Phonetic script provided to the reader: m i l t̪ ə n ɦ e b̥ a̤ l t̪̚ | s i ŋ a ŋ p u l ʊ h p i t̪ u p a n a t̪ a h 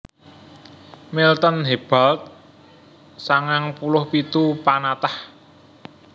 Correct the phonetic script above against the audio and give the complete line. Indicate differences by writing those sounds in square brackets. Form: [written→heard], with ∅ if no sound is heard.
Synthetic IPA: m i l t̪ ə n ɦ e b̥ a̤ l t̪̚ | s [i→a] ŋ a ŋ p u l ʊ h p i t̪ u p a n a t̪ a h